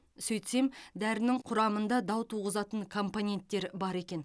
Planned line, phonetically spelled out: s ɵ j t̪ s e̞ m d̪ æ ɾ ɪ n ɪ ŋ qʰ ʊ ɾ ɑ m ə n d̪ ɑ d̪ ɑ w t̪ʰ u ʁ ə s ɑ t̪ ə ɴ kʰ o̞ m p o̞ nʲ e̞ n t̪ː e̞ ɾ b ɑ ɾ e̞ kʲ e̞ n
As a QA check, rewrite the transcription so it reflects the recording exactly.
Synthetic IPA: s ɵ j t̪ s e̞ m d̪ æ ɾ ɪ n ɪ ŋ qʰ ʊ ɾ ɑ m ə n d̪ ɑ d̪ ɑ w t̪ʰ u ʁ ə z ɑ t̪ ə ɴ kʰ o̞ m p o̞ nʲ e̞ n t̪ː e̞ ɾ b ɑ ɾ e̞ kʲ e̞ n